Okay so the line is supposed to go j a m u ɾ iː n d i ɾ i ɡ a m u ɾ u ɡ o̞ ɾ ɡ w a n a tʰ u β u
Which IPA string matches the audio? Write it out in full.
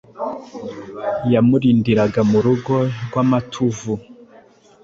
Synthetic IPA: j a m u ɾ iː n d i ɾ a ɡ a m u ɾ u ɡ o̞ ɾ ɡ w a m a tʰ u v u